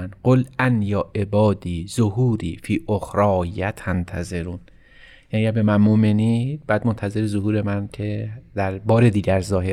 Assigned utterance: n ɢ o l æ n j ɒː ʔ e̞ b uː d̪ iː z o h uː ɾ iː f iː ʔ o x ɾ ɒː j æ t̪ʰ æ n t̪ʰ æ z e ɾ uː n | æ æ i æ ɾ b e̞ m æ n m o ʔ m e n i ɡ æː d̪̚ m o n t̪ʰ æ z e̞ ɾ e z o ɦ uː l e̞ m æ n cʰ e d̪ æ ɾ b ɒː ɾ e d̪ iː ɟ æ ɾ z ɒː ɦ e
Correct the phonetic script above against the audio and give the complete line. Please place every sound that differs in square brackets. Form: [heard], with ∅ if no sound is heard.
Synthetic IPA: n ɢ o l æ n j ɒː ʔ e̞ b [ɒː] d̪ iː z o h uː ɾ iː f iː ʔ o x ɾ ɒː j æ t̪ʰ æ n t̪ʰ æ z e ɾ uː n | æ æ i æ ɾ b e̞ m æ n m o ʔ m e n i [b] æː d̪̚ m o n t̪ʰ æ z e̞ ɾ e z o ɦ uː [ɾ] e̞ m æ n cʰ e d̪ æ ɾ b ɒː ɾ e d̪ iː ɟ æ ɾ z ɒː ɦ e